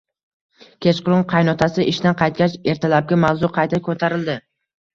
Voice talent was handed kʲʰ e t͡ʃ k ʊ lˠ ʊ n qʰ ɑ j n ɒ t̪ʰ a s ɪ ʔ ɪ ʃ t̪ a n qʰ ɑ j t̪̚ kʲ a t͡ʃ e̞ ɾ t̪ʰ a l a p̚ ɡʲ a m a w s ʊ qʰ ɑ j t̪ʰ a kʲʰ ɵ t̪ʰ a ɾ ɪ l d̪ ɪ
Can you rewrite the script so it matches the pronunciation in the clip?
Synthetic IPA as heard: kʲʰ e t͡ʃ q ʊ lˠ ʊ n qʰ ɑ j n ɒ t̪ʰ a s ɪ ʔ ɪ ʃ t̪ a n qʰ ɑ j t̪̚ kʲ a t͡ʃ e̞ ɾ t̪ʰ a l a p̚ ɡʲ a m a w z ʊ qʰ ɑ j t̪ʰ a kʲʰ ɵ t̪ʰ a ɾ ɪ l d̪ ɪ